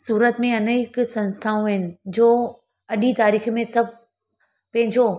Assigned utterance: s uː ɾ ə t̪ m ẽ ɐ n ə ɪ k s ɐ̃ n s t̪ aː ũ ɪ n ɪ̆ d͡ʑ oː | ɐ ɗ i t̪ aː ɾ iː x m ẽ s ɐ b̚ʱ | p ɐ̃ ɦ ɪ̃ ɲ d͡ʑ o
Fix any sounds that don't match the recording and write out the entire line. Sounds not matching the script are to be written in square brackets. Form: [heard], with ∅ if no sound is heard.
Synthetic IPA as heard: s uː ɾ ə t̪ m ẽ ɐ n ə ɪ k s ɐ̃ n s [t̪ʰ] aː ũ ɪ n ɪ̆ d͡ʑ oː | ɐ ɗ i t̪ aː ɾ iː x m ẽ s ɐ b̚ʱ | p ɐ̃ ɦ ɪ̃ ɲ d͡ʑ o